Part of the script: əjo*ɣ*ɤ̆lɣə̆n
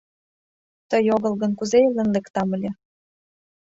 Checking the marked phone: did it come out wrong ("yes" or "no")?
no